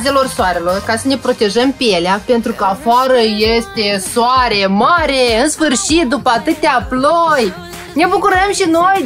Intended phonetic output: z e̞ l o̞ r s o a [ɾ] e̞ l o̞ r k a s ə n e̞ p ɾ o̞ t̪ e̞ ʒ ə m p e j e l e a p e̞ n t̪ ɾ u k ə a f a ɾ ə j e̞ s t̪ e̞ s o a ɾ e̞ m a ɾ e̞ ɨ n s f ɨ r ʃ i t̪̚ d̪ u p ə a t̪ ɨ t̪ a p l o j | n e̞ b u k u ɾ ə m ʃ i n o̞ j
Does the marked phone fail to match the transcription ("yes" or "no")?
no